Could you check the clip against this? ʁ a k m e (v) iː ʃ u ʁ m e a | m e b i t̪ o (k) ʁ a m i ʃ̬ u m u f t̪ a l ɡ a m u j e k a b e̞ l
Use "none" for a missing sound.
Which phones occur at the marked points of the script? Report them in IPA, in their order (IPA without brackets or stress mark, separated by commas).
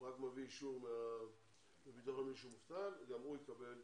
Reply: v, none